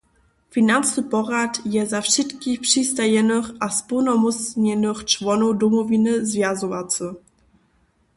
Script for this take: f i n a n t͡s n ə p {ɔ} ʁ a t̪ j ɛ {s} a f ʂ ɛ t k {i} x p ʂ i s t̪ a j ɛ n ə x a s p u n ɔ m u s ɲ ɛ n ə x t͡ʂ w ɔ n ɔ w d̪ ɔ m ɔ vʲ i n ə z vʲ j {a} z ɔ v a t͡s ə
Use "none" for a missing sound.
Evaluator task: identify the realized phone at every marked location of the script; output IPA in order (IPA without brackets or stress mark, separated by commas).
ɔ, z, i, a